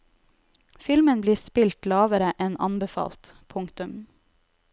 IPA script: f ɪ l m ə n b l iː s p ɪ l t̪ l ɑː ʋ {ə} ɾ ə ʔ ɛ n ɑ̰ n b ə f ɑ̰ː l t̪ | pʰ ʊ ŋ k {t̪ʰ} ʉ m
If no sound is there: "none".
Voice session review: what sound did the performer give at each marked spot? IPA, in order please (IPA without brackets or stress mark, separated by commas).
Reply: ə, t̪